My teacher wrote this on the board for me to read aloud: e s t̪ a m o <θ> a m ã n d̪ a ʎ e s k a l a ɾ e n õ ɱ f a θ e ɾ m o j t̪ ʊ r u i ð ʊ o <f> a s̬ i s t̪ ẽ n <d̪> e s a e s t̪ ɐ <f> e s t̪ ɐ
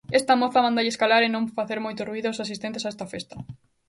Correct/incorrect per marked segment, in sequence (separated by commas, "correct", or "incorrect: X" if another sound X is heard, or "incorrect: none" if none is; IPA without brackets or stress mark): correct, incorrect: s, incorrect: t̪, correct